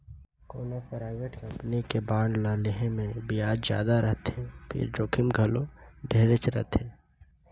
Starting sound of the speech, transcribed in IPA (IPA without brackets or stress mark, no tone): k